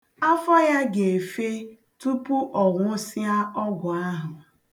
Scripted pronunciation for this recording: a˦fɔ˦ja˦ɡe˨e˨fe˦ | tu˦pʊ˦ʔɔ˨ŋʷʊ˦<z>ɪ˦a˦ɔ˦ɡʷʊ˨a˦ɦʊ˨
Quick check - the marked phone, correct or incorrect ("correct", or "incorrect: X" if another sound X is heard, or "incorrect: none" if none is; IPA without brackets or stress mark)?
incorrect: s